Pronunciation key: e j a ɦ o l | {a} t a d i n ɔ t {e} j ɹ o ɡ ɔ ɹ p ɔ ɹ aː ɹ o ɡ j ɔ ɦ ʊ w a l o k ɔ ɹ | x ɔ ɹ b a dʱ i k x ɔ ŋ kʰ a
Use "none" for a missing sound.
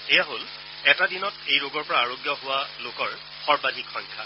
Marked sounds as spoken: ɛ, e

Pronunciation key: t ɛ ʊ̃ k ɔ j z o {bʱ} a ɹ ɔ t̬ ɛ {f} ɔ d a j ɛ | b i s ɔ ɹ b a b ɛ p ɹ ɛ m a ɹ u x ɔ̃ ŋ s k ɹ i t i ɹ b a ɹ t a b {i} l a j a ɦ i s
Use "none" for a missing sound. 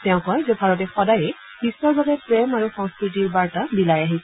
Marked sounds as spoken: bʱ, x, i

